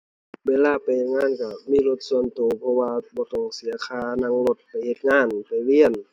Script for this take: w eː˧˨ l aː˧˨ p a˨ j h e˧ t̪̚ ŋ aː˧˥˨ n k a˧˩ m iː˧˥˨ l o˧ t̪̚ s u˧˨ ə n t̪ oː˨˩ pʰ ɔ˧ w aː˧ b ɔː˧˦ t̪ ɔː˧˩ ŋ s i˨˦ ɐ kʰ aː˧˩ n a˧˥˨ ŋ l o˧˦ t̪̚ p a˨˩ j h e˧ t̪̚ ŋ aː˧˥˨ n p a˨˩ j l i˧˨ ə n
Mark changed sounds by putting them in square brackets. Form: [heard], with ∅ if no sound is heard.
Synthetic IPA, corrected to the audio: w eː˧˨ l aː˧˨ p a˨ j h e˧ t̪̚ ŋ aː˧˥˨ n k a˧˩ m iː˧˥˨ l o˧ t̪̚ s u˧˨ ə n t̪ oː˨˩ pʰ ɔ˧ w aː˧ b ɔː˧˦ t̪ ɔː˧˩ ŋ s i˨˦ ɐ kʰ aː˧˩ n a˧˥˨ ŋ l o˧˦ t̪̚ p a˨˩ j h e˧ t̪̚ ŋ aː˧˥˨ n p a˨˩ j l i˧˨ ə n